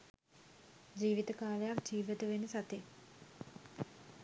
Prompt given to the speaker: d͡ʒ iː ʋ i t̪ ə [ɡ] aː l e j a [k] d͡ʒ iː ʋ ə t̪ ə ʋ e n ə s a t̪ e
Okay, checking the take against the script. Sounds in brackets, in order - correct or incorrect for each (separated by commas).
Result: incorrect, correct